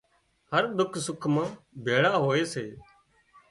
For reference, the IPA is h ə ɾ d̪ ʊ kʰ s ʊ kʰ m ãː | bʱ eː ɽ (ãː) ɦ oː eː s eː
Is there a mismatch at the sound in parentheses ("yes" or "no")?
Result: yes